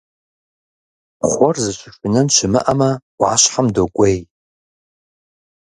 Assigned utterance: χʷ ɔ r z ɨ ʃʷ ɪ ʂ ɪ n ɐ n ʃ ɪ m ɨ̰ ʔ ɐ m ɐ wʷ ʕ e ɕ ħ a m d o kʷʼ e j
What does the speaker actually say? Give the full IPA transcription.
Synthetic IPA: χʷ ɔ r z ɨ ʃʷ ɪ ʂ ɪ n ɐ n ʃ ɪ m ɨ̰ ʔ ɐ m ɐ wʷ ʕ a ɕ ħ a m d o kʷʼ e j